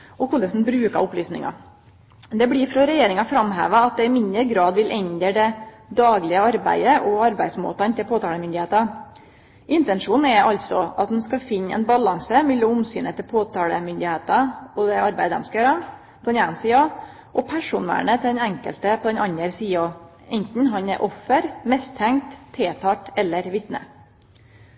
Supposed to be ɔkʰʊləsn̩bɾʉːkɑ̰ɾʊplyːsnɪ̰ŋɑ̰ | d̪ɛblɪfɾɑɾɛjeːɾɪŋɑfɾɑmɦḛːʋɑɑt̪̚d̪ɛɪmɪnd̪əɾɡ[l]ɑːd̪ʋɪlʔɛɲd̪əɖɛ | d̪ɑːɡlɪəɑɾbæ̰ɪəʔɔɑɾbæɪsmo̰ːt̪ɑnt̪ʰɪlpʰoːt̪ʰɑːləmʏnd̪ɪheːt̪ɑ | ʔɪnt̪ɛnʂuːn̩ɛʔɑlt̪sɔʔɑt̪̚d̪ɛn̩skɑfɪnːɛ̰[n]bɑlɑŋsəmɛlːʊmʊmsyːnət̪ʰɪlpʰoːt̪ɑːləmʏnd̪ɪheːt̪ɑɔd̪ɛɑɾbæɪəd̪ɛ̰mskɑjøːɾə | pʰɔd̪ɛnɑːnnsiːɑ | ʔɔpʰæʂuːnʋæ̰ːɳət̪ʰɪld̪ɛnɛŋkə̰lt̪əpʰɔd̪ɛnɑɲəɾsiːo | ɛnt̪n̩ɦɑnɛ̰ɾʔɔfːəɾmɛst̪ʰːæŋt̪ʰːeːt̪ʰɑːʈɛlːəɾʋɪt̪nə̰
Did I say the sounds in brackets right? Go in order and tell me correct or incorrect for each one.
incorrect: ɾ, correct

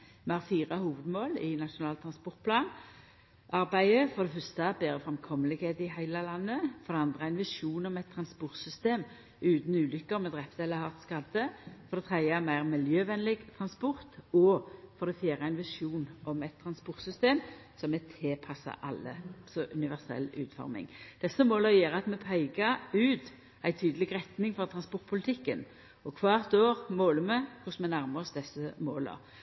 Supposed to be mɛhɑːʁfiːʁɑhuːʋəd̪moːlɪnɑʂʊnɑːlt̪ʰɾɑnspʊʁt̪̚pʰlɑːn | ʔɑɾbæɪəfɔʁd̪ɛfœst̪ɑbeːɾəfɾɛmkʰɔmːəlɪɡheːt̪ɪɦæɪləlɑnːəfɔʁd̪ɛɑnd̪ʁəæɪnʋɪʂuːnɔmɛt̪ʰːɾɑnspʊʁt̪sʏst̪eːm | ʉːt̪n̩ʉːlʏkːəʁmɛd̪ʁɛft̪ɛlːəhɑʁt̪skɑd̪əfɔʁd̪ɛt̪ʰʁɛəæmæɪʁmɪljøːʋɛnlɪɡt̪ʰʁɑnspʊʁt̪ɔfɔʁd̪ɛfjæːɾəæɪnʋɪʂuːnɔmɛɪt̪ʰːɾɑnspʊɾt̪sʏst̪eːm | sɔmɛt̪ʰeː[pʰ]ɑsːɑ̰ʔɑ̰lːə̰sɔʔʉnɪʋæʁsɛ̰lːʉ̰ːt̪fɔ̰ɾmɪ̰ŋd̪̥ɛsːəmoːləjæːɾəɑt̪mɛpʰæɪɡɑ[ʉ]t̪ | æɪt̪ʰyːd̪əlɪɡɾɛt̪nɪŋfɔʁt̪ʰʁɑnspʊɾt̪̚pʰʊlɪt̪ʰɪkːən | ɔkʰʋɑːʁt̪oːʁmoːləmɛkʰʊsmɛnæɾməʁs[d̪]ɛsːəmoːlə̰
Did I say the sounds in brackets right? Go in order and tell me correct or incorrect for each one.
correct, incorrect: ʉː, correct

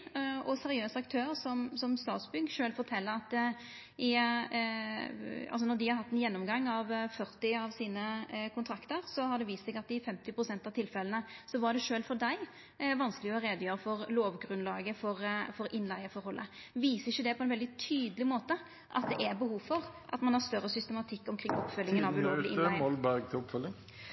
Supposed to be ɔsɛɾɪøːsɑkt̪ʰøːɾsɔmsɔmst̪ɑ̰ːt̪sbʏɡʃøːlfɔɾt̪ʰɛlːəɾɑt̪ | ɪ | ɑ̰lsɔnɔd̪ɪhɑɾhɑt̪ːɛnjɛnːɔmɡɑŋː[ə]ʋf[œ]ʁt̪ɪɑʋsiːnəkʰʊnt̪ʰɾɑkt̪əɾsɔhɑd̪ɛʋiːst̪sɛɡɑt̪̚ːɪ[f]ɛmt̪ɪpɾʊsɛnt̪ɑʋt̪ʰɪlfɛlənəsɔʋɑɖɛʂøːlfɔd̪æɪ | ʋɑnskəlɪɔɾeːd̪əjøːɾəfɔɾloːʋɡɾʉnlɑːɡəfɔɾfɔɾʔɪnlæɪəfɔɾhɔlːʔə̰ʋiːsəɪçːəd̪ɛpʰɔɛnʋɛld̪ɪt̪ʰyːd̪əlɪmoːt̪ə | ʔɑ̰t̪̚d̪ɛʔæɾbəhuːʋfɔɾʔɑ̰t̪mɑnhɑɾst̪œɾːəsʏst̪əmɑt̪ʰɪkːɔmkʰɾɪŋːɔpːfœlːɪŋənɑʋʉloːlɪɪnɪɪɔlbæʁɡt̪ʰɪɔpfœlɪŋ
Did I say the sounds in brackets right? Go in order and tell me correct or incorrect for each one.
incorrect: ɑ, correct, correct

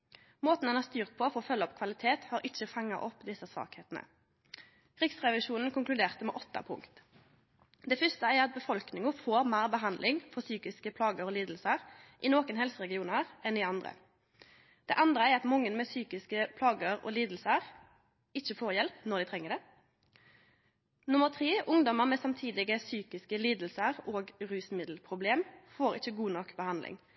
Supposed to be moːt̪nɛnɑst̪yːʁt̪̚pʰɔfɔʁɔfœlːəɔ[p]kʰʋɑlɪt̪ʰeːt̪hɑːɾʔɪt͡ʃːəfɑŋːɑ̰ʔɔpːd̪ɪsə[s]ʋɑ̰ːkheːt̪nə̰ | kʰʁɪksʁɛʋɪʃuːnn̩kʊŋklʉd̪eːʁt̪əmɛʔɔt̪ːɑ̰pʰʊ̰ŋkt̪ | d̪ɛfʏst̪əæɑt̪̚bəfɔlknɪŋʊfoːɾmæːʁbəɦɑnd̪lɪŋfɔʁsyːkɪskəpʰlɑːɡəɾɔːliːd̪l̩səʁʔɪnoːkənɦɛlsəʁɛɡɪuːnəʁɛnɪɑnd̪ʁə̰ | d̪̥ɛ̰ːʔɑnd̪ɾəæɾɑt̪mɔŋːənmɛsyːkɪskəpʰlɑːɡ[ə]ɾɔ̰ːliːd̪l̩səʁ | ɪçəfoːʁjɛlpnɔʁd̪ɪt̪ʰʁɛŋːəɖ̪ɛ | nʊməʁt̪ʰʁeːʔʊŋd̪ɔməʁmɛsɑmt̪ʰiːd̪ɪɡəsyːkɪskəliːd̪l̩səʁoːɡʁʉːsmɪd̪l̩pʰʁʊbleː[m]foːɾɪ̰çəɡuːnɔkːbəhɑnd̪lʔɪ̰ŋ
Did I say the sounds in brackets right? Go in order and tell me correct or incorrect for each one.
correct, correct, correct, correct

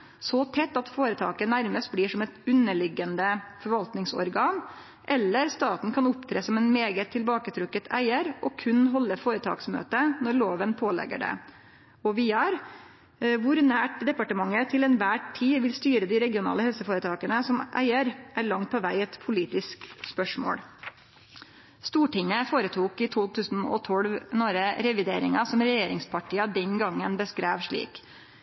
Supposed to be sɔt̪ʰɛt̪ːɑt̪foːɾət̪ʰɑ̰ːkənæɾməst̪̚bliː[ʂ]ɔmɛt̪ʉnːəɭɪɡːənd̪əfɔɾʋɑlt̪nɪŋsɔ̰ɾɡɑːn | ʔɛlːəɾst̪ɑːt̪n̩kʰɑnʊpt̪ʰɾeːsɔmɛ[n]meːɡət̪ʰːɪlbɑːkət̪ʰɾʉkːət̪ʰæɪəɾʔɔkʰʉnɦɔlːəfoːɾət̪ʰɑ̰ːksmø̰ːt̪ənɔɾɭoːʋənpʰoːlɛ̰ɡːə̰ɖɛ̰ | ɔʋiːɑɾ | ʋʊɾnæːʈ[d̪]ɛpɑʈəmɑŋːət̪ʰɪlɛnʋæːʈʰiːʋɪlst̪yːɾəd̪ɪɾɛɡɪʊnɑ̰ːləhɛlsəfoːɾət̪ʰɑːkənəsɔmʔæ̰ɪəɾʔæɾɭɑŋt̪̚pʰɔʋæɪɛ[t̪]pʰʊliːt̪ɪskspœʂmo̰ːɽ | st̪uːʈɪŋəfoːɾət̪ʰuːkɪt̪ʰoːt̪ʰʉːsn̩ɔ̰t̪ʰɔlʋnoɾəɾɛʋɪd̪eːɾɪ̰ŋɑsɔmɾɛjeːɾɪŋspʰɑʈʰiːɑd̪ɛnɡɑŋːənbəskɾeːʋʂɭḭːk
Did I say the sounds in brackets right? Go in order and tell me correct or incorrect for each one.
correct, correct, correct, correct

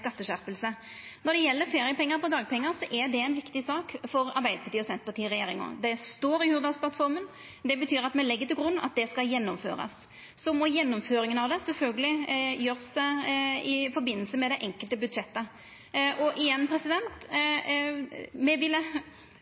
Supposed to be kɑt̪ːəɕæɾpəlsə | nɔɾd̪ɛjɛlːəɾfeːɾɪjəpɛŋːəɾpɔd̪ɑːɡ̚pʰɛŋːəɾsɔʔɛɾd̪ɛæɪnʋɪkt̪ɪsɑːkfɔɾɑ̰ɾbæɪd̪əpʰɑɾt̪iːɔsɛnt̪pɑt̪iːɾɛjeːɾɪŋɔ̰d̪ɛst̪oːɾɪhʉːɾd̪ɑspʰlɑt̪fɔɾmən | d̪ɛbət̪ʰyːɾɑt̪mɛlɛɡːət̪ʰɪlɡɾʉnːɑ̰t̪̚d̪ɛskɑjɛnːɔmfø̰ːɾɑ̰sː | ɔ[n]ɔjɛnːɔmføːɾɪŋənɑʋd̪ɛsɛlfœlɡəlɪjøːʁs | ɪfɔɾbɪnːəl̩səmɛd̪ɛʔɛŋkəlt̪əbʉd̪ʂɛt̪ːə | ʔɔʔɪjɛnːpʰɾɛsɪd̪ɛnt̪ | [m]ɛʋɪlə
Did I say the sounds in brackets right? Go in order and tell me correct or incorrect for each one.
incorrect: m, correct

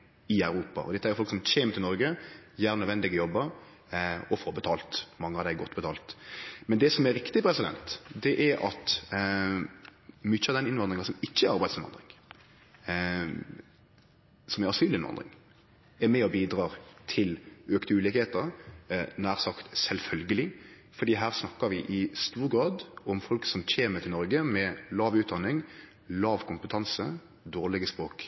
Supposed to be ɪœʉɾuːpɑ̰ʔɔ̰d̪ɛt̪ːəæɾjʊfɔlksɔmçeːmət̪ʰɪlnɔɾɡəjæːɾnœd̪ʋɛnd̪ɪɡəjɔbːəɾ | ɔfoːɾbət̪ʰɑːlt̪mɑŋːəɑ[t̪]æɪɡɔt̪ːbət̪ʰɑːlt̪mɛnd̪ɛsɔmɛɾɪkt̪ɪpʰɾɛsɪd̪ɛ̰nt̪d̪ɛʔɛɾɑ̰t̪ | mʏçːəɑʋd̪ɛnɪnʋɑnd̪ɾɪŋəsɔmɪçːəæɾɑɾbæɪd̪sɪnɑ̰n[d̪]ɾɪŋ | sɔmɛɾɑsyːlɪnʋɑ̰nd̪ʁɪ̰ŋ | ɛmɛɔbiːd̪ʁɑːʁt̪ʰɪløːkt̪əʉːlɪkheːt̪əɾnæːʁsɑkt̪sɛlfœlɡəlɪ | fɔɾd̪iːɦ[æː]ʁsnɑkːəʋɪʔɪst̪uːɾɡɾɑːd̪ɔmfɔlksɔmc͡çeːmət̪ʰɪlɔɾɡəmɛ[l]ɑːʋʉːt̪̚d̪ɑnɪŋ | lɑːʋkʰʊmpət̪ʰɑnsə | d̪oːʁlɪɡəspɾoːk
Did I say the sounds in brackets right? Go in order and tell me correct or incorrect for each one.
incorrect: d̪, correct, correct, correct

